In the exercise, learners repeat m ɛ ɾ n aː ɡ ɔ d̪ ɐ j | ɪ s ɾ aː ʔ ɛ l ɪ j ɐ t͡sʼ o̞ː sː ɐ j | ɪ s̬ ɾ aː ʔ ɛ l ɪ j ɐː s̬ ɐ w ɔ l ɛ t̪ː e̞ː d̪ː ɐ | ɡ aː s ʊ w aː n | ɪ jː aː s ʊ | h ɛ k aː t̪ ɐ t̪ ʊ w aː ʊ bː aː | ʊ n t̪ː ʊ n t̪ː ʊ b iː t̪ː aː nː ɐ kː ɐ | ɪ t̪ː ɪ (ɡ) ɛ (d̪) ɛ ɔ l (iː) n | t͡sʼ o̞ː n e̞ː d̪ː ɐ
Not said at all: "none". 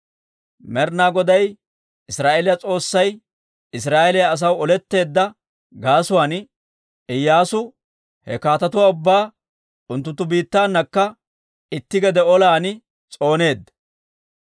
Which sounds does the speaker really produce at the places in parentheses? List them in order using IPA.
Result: ɡ, d̪, aː

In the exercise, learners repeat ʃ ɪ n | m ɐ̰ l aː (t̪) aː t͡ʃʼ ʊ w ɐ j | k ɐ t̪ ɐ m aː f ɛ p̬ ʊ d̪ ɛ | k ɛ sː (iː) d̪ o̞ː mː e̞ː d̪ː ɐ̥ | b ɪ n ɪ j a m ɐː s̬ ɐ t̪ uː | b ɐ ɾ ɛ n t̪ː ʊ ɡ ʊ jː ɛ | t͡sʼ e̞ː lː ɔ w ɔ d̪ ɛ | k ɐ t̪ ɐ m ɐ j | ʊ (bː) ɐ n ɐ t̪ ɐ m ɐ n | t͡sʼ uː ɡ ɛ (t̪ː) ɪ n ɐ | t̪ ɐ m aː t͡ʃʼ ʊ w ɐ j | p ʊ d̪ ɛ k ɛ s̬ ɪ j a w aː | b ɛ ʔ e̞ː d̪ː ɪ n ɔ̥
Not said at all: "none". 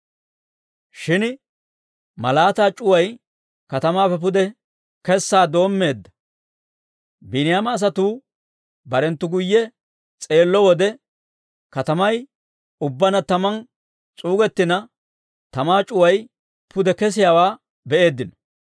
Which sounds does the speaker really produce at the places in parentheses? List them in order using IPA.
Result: t̪, aː, bː, t̪ː

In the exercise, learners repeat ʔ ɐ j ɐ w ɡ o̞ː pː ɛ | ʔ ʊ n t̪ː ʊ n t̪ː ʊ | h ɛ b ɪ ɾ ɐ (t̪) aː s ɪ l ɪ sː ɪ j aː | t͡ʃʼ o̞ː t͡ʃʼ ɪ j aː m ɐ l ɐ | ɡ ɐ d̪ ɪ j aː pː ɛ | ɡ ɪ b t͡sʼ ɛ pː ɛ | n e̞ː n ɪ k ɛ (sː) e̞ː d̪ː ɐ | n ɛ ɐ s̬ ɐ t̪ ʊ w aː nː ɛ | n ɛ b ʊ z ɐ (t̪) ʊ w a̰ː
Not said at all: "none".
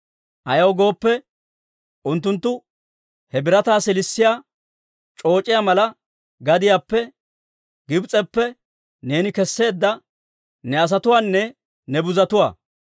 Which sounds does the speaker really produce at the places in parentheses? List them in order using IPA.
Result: t̪, sː, t̪

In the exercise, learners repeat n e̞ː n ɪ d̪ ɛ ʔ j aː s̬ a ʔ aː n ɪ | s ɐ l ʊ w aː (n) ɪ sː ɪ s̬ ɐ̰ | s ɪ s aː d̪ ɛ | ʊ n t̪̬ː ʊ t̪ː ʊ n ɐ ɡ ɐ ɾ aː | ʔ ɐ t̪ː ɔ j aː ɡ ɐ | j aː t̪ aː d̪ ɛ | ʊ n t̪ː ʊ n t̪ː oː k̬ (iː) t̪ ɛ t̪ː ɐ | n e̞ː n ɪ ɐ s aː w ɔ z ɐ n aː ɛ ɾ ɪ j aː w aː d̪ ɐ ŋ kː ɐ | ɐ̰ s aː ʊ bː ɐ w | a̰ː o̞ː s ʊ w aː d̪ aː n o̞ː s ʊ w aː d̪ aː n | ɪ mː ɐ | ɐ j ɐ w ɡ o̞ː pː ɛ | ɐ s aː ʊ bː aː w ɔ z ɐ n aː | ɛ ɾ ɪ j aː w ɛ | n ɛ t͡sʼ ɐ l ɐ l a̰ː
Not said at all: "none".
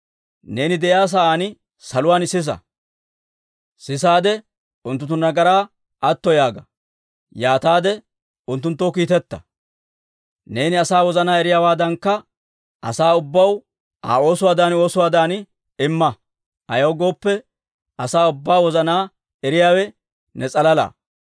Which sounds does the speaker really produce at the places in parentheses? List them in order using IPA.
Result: n, iː

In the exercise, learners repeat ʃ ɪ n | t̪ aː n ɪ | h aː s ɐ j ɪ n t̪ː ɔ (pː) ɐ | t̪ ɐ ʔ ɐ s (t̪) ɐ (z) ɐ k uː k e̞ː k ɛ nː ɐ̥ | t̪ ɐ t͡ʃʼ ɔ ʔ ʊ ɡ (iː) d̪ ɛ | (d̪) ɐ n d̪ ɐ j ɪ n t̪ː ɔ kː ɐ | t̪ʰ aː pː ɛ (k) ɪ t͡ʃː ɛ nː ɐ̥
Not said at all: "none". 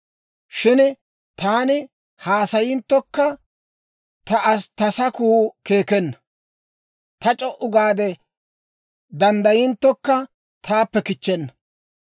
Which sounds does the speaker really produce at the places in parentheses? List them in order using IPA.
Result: kː, t̪, s, aː, d̪, k

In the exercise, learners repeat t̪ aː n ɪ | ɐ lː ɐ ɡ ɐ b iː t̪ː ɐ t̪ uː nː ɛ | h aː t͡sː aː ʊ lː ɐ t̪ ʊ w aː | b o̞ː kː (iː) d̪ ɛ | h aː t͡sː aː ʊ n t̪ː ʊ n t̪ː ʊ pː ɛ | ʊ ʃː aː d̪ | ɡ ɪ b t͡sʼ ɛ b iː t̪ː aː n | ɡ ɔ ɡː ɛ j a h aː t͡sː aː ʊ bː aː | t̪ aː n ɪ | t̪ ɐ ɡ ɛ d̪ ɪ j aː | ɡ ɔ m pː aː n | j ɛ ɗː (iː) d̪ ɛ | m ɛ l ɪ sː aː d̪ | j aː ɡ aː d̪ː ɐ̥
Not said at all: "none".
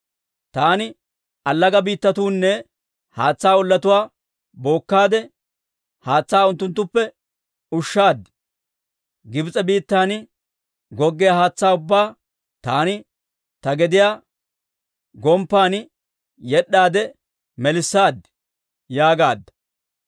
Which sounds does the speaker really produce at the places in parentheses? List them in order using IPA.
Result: aː, aː

